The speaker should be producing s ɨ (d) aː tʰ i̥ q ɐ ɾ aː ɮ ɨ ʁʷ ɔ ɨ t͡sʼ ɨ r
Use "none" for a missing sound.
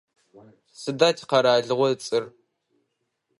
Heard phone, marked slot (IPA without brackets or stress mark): d